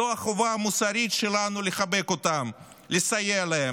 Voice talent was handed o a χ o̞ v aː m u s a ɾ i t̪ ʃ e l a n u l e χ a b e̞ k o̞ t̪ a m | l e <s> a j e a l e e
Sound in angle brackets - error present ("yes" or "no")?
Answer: no